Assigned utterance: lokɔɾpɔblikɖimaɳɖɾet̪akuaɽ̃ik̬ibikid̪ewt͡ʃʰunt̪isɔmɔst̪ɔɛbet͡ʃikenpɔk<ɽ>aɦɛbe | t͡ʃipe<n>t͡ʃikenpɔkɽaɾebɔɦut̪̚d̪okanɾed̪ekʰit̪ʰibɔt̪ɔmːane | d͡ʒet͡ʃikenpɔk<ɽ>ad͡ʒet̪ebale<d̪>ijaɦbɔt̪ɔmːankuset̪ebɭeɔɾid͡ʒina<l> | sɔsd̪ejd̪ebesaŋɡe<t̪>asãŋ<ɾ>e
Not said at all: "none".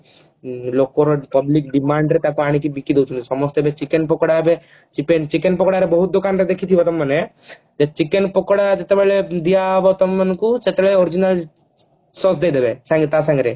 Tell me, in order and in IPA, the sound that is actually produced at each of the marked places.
ɽ, n, ɽ, d̪, l, t̪, ɾ

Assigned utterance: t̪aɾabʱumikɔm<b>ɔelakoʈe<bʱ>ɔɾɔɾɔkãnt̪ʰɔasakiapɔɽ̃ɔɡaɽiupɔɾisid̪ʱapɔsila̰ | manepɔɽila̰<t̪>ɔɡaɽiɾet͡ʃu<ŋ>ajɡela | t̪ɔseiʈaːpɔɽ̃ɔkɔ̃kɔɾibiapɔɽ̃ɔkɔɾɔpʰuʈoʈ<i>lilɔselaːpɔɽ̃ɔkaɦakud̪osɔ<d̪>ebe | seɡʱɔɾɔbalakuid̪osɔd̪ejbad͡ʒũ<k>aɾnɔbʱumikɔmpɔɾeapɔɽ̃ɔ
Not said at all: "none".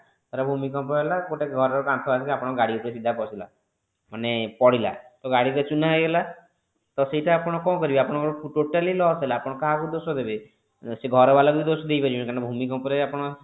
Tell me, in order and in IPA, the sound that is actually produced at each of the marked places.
p, ɡʱ, t̪, n, a, d̪, k

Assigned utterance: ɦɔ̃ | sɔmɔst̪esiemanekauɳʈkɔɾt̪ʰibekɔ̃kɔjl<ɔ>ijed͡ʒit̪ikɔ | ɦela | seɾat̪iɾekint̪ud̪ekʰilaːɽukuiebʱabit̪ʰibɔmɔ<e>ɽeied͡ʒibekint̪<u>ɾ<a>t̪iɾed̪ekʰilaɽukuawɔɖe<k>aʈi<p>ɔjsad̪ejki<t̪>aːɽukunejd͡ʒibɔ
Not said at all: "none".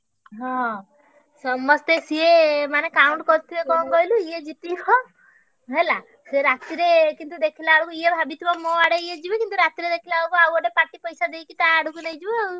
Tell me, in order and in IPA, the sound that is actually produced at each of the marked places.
u, a, u, a, p, p, t̪

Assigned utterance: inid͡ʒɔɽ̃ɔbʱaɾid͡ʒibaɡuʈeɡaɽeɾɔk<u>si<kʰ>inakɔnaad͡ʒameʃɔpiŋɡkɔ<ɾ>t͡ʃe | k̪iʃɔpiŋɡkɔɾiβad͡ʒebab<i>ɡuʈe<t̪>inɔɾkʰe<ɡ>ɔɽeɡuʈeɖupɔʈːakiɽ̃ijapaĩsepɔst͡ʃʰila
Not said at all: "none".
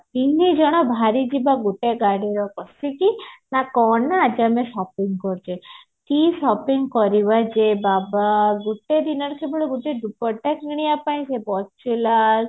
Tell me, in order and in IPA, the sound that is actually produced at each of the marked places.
ɔ, k, ɾ, a, d̪, b

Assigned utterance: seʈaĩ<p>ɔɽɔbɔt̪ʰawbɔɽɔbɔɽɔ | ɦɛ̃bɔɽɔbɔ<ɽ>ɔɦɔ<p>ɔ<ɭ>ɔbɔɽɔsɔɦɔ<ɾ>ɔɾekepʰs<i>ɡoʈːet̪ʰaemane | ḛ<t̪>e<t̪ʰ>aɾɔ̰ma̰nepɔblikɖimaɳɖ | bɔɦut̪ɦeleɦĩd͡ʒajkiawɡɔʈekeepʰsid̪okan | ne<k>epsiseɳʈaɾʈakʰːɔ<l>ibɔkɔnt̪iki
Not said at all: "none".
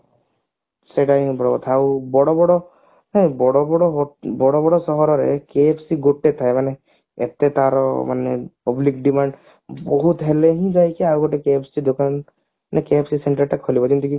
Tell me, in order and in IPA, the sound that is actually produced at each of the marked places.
b, ɽ, b, ɽ, ɾ, i, t̪, t̪, k, l

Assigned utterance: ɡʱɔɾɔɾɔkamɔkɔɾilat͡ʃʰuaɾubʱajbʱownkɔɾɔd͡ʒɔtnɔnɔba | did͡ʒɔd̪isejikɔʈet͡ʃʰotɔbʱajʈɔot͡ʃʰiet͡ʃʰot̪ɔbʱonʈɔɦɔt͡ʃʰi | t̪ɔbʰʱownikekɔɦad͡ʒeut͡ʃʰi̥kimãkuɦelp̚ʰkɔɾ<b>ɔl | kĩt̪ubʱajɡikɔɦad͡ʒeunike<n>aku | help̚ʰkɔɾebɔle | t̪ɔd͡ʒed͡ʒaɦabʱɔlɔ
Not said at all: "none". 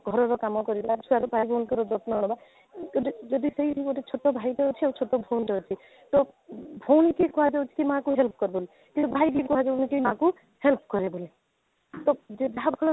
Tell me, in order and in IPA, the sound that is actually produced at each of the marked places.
b, m

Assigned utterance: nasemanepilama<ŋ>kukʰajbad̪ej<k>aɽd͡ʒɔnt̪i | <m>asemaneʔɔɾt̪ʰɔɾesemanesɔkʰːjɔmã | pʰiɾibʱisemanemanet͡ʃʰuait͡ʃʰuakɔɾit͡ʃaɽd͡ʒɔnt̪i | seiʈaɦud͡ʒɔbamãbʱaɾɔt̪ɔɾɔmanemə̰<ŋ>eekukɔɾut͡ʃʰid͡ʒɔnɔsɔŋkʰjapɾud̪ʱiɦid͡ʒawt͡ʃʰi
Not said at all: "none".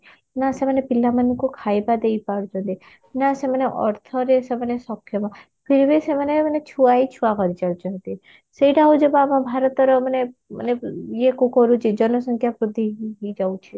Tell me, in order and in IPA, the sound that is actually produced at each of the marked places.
n, p, n, n

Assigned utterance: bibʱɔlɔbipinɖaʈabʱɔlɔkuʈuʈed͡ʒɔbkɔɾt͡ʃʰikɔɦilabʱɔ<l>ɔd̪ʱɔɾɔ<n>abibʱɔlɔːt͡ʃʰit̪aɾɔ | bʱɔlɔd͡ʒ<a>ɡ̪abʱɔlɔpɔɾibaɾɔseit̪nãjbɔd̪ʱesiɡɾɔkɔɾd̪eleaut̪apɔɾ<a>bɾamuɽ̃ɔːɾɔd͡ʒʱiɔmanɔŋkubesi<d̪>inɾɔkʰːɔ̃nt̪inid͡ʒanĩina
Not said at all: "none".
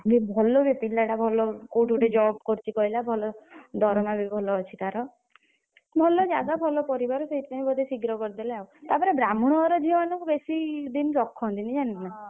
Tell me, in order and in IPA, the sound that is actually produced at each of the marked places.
l, m, a, e, d̪

